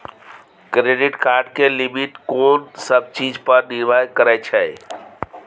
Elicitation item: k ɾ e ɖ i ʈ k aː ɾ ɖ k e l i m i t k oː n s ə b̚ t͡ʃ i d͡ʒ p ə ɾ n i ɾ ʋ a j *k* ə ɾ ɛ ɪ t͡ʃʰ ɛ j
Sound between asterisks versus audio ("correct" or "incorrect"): correct